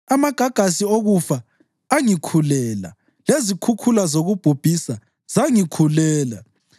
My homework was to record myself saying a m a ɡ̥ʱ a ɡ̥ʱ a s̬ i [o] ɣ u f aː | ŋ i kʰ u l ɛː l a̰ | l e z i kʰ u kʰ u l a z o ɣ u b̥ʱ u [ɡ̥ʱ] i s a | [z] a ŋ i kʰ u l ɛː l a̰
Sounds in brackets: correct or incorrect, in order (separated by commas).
correct, incorrect, correct